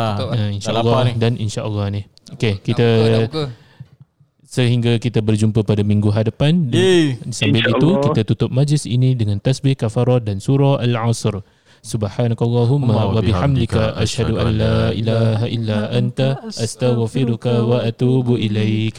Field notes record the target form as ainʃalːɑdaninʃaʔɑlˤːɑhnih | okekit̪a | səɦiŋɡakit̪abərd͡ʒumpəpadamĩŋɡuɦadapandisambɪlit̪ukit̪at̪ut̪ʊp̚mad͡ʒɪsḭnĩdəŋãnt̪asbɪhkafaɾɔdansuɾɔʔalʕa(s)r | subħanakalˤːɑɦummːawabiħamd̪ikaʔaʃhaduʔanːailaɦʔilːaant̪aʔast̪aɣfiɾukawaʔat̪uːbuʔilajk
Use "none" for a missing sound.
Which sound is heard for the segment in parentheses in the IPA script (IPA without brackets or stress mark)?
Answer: s